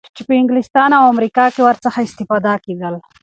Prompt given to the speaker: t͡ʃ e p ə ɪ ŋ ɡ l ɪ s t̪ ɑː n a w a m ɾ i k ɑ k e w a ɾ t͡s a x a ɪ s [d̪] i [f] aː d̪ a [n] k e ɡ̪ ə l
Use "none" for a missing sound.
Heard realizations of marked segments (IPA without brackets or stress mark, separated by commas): t̪, f, none